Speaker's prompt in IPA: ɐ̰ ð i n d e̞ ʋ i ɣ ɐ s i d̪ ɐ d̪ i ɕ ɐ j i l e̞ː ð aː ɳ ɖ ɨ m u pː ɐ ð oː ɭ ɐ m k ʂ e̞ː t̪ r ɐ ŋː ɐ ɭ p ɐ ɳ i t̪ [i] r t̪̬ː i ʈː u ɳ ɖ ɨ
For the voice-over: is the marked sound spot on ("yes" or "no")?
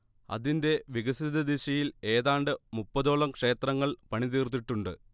no